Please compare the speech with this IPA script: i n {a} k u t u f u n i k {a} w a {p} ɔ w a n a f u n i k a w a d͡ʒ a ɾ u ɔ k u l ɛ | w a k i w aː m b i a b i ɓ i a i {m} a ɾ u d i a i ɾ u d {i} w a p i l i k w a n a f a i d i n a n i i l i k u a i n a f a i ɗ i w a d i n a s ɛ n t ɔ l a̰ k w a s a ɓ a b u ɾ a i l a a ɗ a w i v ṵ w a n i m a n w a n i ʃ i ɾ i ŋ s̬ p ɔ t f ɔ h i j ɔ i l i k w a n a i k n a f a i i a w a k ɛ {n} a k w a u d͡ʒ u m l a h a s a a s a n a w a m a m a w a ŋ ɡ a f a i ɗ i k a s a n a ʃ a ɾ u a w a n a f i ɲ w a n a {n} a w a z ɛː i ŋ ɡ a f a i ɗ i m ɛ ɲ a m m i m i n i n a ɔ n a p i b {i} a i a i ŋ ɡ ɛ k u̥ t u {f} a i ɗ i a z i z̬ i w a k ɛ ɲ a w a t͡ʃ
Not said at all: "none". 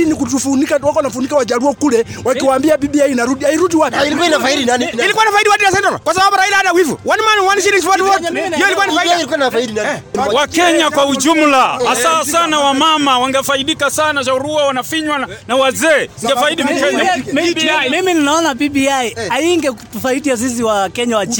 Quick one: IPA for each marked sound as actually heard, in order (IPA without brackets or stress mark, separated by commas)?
i, a, k, n, i, ɲ, n, i, f